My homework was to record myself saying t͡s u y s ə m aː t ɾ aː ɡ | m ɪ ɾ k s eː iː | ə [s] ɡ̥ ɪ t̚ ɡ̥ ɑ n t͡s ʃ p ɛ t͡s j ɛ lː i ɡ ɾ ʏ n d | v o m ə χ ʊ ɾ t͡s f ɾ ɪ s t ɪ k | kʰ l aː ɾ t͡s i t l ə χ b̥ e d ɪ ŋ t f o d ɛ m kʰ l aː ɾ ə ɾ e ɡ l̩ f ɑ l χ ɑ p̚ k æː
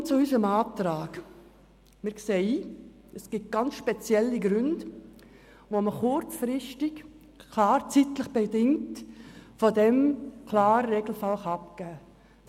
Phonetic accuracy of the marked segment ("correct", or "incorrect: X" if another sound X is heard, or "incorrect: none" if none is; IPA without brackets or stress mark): correct